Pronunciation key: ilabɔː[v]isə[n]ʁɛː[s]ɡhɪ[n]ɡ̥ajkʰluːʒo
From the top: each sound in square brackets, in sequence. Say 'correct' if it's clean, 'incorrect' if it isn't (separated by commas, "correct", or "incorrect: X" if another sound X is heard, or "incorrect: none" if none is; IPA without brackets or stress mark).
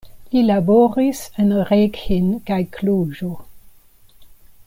incorrect: ʁ, correct, incorrect: none, correct